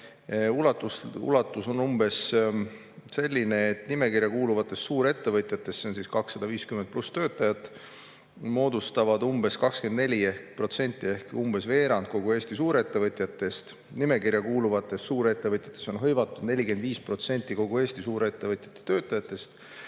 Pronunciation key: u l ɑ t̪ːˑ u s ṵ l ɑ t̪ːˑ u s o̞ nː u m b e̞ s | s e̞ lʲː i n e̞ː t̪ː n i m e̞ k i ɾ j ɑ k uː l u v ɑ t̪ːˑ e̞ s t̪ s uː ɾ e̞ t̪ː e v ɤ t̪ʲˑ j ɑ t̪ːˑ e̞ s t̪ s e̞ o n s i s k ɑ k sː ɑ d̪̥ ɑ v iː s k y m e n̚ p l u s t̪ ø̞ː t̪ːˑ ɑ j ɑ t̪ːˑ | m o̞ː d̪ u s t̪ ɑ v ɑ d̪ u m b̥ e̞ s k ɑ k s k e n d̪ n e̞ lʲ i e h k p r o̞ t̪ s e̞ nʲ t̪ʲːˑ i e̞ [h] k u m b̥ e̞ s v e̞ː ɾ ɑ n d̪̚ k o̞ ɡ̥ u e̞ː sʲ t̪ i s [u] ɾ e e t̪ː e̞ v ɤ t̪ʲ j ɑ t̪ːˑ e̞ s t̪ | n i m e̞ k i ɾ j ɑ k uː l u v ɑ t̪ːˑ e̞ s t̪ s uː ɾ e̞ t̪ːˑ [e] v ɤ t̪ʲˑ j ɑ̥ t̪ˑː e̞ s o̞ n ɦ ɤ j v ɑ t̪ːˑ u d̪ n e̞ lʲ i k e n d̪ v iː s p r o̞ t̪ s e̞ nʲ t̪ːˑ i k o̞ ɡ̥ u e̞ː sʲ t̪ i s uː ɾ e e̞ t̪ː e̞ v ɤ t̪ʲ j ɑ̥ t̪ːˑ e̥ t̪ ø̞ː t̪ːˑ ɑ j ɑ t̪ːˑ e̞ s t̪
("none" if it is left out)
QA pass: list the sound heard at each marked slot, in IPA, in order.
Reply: h, uː, e

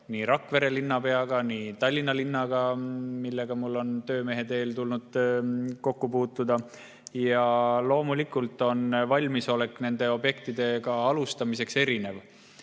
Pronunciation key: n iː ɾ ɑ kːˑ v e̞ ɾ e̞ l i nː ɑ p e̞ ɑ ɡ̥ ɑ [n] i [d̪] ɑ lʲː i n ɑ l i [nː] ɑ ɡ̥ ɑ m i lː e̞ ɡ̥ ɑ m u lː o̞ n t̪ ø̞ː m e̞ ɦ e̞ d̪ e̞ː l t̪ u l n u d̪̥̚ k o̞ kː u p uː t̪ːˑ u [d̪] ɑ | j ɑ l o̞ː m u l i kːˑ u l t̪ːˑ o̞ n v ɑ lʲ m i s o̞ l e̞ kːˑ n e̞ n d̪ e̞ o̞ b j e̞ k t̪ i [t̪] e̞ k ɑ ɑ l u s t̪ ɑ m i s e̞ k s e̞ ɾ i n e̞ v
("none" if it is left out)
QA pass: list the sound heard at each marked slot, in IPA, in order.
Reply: n, t̪, nː, d̪, d̪

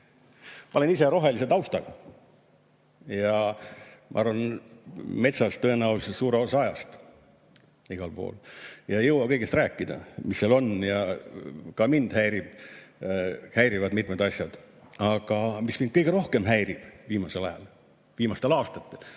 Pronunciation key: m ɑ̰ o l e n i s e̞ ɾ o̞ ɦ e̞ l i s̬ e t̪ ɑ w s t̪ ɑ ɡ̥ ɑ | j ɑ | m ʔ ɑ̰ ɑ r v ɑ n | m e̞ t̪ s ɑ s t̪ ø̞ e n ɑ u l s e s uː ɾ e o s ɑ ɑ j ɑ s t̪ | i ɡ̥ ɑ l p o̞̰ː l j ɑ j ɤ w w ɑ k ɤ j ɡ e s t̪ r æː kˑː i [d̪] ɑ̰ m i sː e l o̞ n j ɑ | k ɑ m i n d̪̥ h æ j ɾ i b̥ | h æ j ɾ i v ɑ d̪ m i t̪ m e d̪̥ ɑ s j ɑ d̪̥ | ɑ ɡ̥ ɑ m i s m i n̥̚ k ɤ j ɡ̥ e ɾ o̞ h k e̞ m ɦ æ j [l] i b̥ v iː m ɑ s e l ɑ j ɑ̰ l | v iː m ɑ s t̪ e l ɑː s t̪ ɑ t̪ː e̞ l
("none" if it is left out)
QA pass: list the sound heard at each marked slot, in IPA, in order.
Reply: d̪, ɾ

